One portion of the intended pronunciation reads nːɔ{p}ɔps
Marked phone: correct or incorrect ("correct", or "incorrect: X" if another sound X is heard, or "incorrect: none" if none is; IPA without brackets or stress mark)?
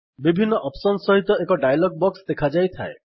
incorrect: ʔ